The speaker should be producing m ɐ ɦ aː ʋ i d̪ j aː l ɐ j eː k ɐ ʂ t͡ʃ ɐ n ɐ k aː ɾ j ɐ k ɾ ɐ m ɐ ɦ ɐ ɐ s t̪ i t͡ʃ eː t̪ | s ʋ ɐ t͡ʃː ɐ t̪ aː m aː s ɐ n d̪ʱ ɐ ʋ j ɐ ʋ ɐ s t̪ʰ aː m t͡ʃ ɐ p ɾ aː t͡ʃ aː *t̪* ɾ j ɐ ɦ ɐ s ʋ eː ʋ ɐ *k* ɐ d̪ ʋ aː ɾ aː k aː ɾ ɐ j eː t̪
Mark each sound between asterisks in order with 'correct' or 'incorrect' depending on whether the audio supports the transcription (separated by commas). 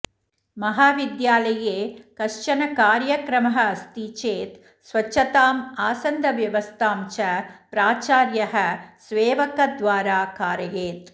incorrect, correct